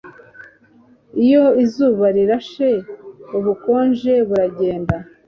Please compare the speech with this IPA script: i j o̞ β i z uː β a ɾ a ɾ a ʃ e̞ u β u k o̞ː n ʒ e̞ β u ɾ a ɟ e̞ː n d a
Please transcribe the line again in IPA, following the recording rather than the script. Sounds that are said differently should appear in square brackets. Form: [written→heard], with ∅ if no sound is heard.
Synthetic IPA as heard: i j o̞ [β→∅] i z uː β a ɾ [a→i] ɾ a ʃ e̞ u β u k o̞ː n ʒ e̞ β u ɾ a ɟ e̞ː n d a